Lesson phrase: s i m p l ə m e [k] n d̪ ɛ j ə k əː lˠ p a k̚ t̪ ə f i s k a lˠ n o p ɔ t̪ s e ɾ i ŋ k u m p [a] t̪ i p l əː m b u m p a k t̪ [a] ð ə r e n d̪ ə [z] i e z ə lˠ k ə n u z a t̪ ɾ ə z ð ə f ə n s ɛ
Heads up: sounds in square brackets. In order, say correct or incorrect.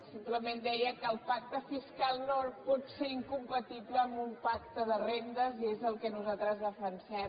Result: incorrect: none, incorrect: ə, incorrect: ə, correct

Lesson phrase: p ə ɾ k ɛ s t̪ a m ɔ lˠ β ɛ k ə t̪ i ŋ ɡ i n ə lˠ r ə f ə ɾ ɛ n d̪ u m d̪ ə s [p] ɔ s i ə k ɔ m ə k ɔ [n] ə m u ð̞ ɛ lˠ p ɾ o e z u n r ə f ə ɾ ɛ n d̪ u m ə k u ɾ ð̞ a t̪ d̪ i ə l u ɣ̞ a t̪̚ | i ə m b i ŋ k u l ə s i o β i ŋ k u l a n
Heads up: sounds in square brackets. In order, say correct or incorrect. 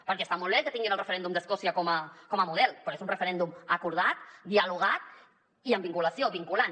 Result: incorrect: k, incorrect: m

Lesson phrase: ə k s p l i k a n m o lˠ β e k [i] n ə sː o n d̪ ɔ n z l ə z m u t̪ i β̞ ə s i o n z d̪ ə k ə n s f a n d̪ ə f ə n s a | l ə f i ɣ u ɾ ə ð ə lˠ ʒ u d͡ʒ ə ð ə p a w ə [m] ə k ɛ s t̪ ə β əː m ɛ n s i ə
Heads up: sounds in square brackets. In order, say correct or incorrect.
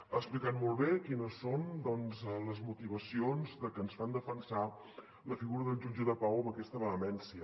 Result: correct, correct

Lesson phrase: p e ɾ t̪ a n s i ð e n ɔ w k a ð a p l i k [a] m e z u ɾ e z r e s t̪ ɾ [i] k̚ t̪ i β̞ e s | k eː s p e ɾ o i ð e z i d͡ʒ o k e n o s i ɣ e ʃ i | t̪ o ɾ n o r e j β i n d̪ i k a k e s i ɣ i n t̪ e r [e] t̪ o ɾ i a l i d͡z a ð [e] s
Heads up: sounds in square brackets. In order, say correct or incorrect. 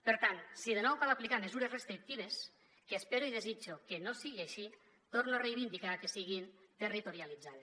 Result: correct, correct, incorrect: i, correct

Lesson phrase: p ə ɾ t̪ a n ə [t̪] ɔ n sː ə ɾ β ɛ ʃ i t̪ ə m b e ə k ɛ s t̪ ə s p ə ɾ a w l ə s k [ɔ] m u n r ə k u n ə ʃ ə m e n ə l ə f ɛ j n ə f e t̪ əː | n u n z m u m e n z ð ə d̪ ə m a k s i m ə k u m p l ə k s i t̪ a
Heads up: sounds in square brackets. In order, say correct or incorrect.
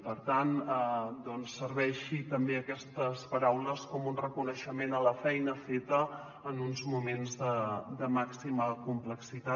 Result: incorrect: d̪, correct

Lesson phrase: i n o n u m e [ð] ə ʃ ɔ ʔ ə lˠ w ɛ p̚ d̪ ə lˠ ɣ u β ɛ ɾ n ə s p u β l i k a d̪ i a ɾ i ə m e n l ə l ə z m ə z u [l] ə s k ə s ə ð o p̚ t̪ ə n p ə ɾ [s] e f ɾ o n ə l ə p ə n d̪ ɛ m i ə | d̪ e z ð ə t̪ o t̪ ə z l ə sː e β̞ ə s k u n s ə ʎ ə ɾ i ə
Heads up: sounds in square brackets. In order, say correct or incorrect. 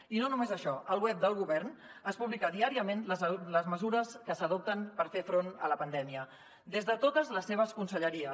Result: incorrect: z, incorrect: ɾ, incorrect: f

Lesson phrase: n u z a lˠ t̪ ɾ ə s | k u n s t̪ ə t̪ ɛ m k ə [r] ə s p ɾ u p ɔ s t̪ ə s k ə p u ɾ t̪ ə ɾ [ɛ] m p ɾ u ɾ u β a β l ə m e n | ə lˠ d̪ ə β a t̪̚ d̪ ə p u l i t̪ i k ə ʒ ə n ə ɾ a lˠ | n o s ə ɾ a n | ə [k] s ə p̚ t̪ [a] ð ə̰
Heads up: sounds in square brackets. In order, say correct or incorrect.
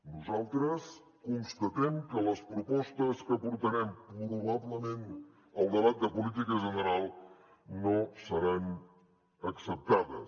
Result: incorrect: l, correct, correct, correct

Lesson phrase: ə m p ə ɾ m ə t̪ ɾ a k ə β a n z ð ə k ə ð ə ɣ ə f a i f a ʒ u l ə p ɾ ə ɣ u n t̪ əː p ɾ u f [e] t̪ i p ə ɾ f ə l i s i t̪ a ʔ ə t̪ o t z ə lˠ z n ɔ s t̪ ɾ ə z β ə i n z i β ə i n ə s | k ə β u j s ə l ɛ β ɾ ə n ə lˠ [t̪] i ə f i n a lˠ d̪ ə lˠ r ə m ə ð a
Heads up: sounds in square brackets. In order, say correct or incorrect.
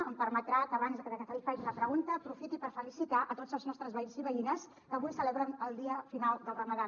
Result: incorrect: i, incorrect: d̪

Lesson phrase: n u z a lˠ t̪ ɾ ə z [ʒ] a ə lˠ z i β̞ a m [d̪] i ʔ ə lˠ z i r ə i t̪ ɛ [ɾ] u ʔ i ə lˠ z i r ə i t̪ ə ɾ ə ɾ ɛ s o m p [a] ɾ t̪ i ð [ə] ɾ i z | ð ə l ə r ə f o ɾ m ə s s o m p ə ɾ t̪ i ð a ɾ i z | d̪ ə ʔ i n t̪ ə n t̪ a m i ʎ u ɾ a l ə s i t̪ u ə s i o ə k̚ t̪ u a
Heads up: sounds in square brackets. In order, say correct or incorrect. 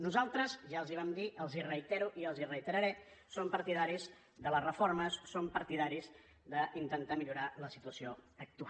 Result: correct, correct, correct, incorrect: ə, incorrect: a

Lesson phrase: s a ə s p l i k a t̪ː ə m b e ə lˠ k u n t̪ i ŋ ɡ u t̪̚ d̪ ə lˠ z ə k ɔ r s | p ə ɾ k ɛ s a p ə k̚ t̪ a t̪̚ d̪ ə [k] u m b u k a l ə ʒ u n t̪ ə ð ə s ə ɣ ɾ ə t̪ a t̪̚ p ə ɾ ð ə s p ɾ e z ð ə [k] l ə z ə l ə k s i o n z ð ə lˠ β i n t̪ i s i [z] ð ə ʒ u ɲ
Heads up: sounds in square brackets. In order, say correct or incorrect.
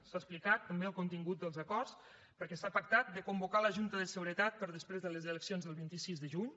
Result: correct, incorrect: none, correct

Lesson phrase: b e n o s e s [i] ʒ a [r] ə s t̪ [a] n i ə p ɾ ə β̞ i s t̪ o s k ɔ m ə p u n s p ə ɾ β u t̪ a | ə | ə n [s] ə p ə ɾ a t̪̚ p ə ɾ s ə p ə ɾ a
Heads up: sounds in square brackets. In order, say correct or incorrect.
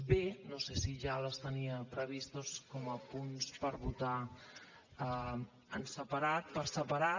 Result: correct, incorrect: l, incorrect: ə, correct

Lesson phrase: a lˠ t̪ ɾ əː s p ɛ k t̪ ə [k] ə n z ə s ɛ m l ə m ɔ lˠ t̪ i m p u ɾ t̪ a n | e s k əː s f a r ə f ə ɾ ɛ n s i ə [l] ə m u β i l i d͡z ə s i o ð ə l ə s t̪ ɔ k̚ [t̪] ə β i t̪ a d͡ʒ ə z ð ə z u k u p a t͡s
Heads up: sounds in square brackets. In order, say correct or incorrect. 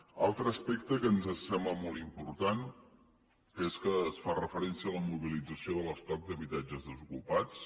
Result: correct, correct, incorrect: d̪

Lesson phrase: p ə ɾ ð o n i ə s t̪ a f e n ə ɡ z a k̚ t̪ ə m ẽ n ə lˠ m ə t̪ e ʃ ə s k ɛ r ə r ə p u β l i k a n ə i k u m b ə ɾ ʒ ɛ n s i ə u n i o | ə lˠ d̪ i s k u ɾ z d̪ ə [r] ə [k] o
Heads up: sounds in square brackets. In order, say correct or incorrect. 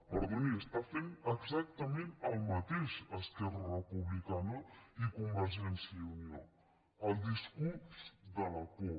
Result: incorrect: l, correct

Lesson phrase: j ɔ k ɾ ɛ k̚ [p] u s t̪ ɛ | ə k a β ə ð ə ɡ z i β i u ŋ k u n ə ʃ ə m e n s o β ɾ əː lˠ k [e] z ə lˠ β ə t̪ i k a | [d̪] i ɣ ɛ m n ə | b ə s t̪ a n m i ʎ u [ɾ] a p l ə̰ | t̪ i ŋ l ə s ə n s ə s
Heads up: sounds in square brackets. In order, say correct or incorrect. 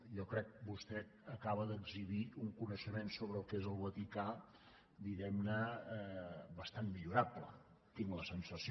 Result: incorrect: b, correct, correct, correct

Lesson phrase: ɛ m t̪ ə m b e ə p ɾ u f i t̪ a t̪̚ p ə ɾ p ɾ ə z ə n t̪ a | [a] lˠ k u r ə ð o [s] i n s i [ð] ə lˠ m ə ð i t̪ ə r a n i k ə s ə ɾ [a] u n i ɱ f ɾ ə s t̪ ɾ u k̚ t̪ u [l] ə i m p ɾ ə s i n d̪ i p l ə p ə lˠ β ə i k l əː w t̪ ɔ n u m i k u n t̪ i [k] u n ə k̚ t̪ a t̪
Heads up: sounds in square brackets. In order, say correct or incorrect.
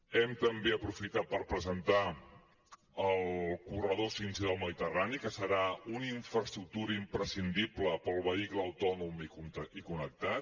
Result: incorrect: ə, correct, correct, correct, incorrect: ɾ, correct

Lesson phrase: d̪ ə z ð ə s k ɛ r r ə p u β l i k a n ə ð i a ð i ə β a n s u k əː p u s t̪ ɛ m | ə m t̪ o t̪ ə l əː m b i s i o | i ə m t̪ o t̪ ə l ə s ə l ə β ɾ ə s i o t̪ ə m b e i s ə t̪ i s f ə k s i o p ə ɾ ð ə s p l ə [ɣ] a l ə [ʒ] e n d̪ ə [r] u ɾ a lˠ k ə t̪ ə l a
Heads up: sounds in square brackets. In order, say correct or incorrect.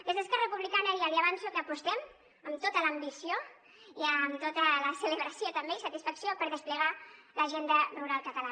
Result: correct, correct, correct

